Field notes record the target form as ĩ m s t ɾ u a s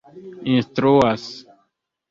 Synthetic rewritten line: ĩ n s t ɾ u a s

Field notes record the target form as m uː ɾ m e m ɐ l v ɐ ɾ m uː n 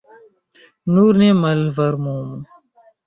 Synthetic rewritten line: n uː ɾ n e m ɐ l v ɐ ɾ m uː m

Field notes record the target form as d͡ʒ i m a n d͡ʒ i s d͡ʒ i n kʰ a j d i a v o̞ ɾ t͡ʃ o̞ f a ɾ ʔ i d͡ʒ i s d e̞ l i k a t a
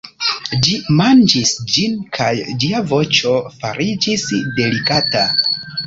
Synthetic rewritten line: d͡ʒ i m a n d͡ʒ i s d͡ʒ i n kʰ a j d͡ʒ i a v o̞ t͡ʃ o̞ f a ɾ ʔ i d͡ʒ i s d e̞ l i k a t a

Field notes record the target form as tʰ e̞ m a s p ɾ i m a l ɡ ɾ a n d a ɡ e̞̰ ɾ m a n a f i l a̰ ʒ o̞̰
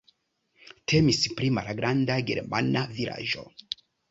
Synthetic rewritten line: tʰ e̞ m i s p ɾ i m a l ɡ ɾ a n d a ɡ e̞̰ ɾ m a n a v i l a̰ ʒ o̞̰

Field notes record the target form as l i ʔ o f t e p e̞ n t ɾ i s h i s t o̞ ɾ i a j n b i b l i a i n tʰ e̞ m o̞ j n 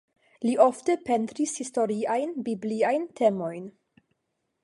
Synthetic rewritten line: l i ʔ o f t e p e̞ n t ɾ i s h i s t o̞ ɾ i a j n b i b l i a j n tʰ e̞ m o̞ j n

